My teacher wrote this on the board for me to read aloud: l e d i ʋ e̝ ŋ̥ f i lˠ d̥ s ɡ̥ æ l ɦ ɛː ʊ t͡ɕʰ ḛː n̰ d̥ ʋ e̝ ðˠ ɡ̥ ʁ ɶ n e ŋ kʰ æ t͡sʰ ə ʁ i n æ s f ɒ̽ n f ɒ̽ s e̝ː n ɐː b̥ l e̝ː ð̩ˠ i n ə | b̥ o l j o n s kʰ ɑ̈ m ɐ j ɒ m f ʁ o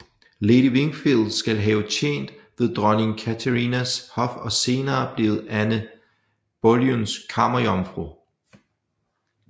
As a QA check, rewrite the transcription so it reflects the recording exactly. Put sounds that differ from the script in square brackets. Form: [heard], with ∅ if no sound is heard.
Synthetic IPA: l e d i ʋ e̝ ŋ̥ f i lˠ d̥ s ɡ̥ æ l ɦ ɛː ʊ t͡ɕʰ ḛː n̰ d̥ ʋ e̝ ðˠ [d̥] ʁ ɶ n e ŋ kʰ æ t͡sʰ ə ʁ i n æ s [h] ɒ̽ [∅] f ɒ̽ s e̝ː n ɐː b̥ l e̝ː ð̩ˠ [æ] n ə | b̥ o l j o n s kʰ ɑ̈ m ɐ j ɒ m f ʁ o